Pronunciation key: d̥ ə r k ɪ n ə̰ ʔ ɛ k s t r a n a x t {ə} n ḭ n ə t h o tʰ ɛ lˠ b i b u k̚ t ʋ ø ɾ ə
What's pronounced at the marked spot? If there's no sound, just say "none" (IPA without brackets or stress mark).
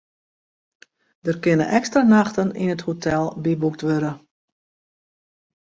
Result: ə